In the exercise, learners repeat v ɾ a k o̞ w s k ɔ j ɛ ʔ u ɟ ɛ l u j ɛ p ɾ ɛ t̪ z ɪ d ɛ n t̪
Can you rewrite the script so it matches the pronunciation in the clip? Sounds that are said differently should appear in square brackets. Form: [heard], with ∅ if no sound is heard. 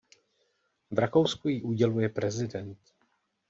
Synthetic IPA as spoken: v ɾ a k o̞ w s k [u] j [i] ʔ u ɟ ɛ l u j ɛ p ɾ ɛ [∅] z ɪ d ɛ n t̪